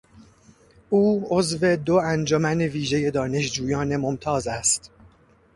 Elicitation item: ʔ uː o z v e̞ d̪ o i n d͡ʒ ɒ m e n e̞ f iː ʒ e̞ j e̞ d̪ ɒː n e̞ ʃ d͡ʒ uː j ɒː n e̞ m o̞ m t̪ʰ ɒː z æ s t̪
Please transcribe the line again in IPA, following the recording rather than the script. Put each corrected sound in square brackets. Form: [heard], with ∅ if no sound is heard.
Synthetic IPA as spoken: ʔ uː o z v e̞ d̪ o [æ] n d͡ʒ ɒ m [æ] n e̞ [v] iː ʒ e̞ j e̞ d̪ ɒː n e̞ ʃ d͡ʒ uː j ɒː n e̞ m o̞ m t̪ʰ ɒː z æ s t̪